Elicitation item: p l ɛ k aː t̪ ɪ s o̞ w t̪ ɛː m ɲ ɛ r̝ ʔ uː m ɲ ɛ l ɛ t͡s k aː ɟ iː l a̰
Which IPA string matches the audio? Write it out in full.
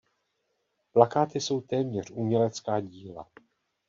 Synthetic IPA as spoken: p l a k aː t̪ ɪ s o̞ w t̪ ɛː m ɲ ɛ r̝ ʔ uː m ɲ ɛ l ɛ t͡s k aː ɟ iː l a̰